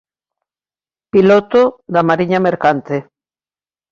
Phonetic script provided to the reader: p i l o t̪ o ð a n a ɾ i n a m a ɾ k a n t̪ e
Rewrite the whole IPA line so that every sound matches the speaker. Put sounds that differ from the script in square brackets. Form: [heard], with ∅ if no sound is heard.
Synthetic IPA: p i l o t̪ o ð a [m] a ɾ i [ɲ] a m [e] ɾ k a n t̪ e

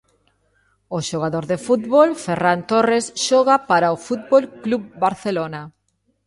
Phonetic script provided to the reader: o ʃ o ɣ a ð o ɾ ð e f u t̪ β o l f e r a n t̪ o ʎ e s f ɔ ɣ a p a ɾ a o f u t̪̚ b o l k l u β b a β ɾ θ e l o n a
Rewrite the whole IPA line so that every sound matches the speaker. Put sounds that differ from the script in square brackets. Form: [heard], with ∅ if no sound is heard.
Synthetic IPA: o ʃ o ɣ a ð o ɾ ð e f u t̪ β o l f e r a n t̪ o [r] e s [ʃ] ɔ ɣ a p a ɾ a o f u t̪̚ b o l k l u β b a [∅] ɾ θ e l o n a

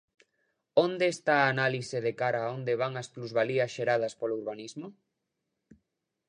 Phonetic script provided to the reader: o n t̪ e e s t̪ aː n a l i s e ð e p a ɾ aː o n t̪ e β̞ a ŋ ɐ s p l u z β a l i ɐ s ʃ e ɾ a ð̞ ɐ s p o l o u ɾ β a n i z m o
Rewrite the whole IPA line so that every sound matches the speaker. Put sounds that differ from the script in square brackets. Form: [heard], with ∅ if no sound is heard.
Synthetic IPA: o n [d̪] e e s t̪ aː n a l i s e ð e [k] a ɾ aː o n [d̪] e β̞ a ŋ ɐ s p l u z β a l i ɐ s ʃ e ɾ a ð̞ ɐ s p o l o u ɾ β a n i z m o

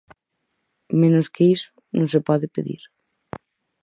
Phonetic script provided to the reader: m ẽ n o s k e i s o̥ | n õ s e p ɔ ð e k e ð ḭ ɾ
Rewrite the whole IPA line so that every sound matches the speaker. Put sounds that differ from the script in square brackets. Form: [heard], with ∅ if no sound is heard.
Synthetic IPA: m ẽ n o s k e i s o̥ | n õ s e p ɔ ð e [p] e ð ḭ ɾ

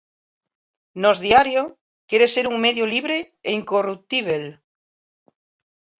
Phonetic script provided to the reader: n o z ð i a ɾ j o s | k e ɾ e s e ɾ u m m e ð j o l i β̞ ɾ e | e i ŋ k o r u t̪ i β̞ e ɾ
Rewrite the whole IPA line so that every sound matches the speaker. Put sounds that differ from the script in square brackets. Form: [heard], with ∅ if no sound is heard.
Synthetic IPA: n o z ð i a ɾ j o [∅] | k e ɾ e s e ɾ u [ŋ] m e ð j o l i β̞ ɾ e | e i ŋ k o r u t̪ i β̞ e [l]

